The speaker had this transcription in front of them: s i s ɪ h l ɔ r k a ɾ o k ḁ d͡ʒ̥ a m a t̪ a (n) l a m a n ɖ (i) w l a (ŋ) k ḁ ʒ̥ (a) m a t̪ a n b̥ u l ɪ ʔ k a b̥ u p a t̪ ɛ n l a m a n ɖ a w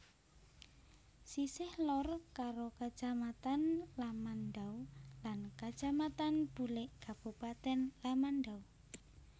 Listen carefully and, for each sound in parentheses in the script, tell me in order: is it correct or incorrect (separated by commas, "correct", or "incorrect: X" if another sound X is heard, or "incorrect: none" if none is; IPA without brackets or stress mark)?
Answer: correct, incorrect: a, incorrect: n, correct